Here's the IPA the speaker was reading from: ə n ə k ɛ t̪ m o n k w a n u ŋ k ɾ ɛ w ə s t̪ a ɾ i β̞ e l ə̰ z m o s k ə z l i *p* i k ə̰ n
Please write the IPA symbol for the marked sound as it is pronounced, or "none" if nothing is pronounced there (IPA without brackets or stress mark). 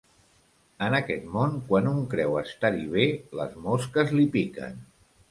p